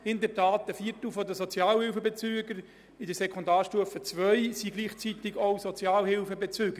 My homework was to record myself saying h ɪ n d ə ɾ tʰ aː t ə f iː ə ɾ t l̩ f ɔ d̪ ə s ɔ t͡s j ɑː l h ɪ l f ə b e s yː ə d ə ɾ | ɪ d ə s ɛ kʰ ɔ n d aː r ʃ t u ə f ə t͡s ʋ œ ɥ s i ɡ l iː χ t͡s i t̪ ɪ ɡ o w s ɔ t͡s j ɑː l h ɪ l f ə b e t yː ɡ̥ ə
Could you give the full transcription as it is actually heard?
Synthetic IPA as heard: h ɪ n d ə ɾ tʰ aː t ə f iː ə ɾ t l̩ f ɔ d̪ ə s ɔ t͡s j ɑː l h ɪ l f ə b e t͡s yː ə ɡ ə ɾ | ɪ d ə s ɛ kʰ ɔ n d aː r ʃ t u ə f ə t͡s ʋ œ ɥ s i ɡ l iː χ t͡s i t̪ ɪ ɡ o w s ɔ t͡s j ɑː l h ɪ l f ə b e t͡s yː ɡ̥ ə